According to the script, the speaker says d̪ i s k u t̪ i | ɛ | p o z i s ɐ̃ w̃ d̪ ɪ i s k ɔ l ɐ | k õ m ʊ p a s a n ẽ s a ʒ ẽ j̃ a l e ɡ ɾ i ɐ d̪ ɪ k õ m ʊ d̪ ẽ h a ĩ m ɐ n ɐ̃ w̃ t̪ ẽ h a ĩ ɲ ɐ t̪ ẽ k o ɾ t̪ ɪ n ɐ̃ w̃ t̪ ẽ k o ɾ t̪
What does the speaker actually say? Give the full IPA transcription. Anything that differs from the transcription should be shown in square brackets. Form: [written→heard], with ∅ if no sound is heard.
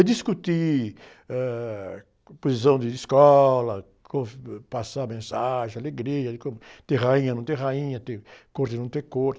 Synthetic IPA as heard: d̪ i s k u t̪ i | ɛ | p o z i s ɐ̃ w̃ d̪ ɪ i s k ɔ l ɐ | k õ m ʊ p a s a [n→m] ẽ s a ʒ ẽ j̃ a l e ɡ ɾ i ɐ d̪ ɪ k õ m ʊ [d̪→t̪] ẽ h a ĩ [m→ɲ] ɐ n ɐ̃ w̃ t̪ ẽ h a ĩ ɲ ɐ t̪ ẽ k o ɾ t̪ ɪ n ɐ̃ w̃ t̪ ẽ k o ɾ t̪

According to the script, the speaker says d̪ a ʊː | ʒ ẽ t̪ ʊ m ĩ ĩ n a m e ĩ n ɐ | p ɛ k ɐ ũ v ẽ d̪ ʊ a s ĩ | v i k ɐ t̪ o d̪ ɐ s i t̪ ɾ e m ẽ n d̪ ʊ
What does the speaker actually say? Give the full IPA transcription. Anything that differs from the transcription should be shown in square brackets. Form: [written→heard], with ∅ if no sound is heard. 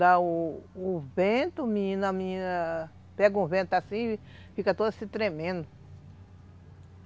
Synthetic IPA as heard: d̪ a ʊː | [ʒ→v] ẽ t̪ ʊ m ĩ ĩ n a m [e→i] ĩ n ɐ | p ɛ [k→ɡ] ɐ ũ v ẽ [d̪→t̪] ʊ a s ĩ | [v→f] i k ɐ t̪ o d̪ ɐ s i t̪ ɾ e m ẽ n d̪ ʊ

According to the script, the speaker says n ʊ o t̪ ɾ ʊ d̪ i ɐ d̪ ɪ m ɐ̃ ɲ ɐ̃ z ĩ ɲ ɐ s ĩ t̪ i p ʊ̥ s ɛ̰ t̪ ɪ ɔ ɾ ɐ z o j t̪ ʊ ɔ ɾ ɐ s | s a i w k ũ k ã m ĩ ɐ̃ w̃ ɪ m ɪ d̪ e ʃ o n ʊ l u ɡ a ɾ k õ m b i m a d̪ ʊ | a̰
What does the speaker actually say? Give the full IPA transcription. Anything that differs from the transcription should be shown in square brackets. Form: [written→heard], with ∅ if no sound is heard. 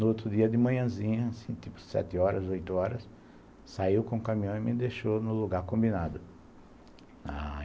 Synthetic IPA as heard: n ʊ o t̪ ɾ ʊ d̪ i ɐ d̪ ɪ m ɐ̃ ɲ ɐ̃ z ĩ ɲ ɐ s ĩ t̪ i p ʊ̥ s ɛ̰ t̪ ɪ ɔ ɾ ɐ z o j t̪ ʊ ɔ ɾ ɐ s | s a i w k [ũ→õ] k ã m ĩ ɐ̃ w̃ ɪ m ɪ d̪ e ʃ o n ʊ l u ɡ a ɾ k õ m b i [m→n] a d̪ ʊ | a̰

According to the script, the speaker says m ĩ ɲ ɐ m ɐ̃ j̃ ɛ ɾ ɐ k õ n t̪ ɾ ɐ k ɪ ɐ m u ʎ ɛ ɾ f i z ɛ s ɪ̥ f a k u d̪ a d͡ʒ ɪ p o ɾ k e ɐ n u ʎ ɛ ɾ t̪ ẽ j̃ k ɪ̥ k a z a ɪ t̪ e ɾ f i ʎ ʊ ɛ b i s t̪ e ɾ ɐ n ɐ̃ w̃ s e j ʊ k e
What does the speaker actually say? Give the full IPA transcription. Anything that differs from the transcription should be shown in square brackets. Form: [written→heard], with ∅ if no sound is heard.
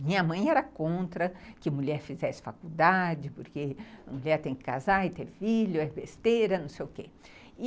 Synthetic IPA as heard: m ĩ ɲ ɐ m ɐ̃ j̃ ɛ ɾ ɐ k õ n t̪ ɾ ɐ k ɪ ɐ m u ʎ ɛ ɾ f i z ɛ s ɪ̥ f a k u d̪ a d͡ʒ ɪ p o ɾ k e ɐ [n→m] u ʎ ɛ ɾ t̪ ẽ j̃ k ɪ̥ k a z a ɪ t̪ e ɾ f i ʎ ʊ ɛ b [i→e] s t̪ e ɾ ɐ n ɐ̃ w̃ s e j ʊ k e

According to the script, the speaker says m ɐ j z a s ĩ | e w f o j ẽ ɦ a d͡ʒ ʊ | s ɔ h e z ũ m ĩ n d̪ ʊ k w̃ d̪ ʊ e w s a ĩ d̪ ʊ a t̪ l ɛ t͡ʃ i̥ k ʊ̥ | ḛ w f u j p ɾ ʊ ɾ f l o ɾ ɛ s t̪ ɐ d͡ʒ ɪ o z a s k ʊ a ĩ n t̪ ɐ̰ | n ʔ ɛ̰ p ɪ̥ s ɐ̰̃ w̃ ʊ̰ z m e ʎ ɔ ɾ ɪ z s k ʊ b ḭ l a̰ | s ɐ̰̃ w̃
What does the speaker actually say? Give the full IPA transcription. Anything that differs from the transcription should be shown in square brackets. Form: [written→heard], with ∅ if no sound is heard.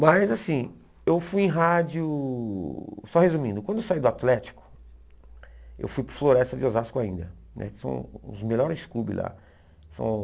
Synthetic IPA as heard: m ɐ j z a s ĩ | e w f [o→u] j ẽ ɦ a d͡ʒ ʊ | s ɔ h e z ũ m ĩ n d̪ ʊ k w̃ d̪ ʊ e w s a [ĩ→i] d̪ ʊ a t̪ l ɛ t͡ʃ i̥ k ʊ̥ | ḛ w f u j p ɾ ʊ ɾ f l o ɾ ɛ s t̪ ɐ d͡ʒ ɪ o z a s k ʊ a ĩ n [t̪→d̪] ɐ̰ | n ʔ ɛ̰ [p→k] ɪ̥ s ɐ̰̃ w̃ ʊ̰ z m e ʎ ɔ ɾ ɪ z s k [ʊ→u] b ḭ l a̰ | s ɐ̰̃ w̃

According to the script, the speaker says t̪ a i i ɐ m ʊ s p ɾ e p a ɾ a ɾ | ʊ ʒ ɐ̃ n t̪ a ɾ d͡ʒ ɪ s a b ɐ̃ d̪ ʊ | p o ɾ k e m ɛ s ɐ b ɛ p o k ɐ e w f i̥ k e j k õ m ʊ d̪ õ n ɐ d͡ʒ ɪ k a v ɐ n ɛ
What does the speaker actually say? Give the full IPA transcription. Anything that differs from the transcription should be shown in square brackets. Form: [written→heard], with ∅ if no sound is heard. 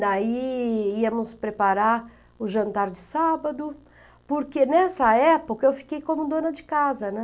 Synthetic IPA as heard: [t̪→d̪] a i i ɐ m ʊ s p ɾ e p a ɾ a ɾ | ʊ ʒ ɐ̃ n t̪ a ɾ d͡ʒ ɪ s a b [ɐ̃→ɐ] d̪ ʊ | p o ɾ k e [m→n] ɛ s ɐ [b→∅] ɛ p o k ɐ e w f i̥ k e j k õ m ʊ d̪ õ n ɐ d͡ʒ ɪ k a [v→z] ɐ n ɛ

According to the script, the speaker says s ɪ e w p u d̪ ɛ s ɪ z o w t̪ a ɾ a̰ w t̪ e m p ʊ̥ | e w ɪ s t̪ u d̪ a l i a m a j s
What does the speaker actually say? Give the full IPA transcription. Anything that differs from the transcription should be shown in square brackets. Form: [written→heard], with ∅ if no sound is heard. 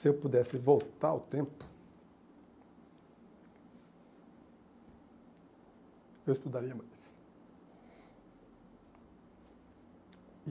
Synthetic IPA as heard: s ɪ e w p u d̪ ɛ s ɪ [z→v] o w t̪ a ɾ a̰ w t̪ [e→ẽ] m p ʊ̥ | e w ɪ s t̪ u d̪ a [l→ɾ] i [a→ɐ] m a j s

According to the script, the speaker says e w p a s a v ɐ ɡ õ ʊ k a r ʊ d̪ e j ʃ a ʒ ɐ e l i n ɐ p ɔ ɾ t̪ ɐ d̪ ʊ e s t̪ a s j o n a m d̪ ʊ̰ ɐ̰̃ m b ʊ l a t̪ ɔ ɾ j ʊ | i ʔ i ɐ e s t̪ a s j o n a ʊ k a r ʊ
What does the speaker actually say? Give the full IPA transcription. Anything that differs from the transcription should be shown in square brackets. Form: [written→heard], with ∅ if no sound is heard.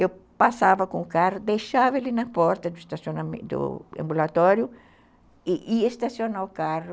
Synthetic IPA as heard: e w p a s a v ɐ [ɡ→k] õ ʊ k a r ʊ d̪ e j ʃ a [ʒ→v] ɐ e l i n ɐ p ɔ ɾ t̪ ɐ d̪ ʊ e s t̪ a s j o n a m d̪ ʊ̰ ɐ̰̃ m b [ʊ→u] l a t̪ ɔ ɾ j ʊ | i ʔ i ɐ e s t̪ a s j o n a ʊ k a r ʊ

